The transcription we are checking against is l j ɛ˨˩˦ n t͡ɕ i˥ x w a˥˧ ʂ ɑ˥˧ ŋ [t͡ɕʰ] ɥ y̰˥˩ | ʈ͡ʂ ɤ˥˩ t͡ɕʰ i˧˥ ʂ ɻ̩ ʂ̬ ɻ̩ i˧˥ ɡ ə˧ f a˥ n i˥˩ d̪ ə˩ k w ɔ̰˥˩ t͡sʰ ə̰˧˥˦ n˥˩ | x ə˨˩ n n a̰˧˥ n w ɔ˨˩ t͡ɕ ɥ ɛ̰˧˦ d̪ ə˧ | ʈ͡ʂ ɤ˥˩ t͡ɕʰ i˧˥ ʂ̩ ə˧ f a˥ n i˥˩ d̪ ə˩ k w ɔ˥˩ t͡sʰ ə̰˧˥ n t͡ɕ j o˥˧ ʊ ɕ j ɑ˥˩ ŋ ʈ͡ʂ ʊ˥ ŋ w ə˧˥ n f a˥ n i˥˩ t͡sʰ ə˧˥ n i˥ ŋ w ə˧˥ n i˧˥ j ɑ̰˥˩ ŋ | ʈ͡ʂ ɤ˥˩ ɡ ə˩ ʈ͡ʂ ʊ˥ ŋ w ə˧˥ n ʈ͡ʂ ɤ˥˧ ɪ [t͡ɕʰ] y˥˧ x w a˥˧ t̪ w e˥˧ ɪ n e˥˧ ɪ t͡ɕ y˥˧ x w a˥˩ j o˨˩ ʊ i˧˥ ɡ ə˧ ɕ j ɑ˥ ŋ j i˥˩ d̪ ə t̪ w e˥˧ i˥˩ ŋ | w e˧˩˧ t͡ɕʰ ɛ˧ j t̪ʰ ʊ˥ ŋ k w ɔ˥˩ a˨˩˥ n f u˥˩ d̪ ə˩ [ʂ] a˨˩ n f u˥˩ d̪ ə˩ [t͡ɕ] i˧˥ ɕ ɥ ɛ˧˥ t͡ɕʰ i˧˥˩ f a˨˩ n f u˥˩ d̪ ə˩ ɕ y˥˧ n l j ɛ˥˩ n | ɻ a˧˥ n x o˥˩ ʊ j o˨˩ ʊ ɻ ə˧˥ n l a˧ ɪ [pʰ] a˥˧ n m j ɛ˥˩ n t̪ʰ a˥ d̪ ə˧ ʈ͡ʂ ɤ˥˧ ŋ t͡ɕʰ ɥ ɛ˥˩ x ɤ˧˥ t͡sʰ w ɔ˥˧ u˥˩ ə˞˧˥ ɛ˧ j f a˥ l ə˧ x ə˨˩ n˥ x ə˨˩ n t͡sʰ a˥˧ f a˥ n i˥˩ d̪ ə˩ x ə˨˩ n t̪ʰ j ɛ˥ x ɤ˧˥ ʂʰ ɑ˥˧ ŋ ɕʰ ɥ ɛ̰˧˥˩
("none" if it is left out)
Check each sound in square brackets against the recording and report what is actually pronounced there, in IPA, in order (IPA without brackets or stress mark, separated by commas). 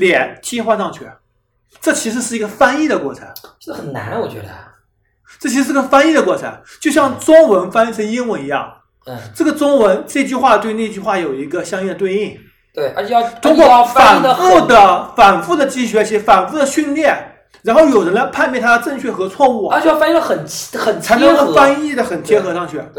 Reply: t͡ɕʰ, t͡ɕ, f, t͡ɕ, pʰ